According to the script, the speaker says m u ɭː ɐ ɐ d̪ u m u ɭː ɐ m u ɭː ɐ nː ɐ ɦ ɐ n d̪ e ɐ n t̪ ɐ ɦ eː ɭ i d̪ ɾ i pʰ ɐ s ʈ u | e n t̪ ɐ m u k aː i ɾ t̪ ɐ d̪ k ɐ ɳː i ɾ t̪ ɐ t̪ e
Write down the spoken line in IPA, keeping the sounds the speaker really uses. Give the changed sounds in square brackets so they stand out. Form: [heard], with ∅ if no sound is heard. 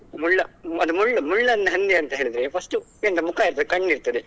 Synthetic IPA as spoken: m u ɭː ɐ ɐ d̪ u m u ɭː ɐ m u ɭː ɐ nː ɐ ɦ ɐ n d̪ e ɐ n t̪ ɐ ɦ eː ɭ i d̪ ɾ [e] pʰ ɐ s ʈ u | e n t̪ ɐ m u k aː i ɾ t̪ ɐ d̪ k ɐ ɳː i ɾ t̪ ɐ [d̪] e